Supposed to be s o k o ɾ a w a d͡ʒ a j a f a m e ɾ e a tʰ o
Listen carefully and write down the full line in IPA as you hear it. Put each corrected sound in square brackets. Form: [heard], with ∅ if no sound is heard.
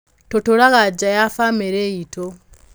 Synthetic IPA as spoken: [t] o [t] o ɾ a [ɣ] a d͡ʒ a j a f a m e ɾ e [i] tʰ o